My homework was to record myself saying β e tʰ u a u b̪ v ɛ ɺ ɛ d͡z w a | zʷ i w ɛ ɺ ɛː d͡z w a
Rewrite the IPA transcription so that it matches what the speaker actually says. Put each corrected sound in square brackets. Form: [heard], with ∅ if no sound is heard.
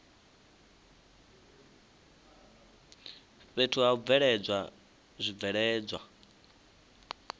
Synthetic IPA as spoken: β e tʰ u a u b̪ v ɛ ɺ ɛ d͡z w a | zʷ i [v] ɛ ɺ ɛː d͡z w a